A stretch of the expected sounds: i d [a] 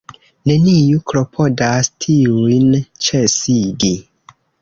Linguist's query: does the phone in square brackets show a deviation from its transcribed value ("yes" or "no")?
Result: yes